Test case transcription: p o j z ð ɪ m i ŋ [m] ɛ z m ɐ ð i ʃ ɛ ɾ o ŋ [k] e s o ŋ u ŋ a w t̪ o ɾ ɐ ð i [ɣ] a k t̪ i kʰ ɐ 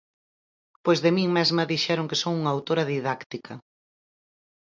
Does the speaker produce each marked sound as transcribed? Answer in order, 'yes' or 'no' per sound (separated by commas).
yes, yes, no